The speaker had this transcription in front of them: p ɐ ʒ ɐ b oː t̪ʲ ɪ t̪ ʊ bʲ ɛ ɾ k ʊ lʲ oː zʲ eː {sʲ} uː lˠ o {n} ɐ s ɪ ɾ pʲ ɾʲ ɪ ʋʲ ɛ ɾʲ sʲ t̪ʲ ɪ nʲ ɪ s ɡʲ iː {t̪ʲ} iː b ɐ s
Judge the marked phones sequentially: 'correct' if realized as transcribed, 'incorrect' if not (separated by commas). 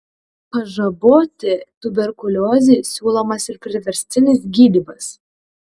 correct, incorrect, incorrect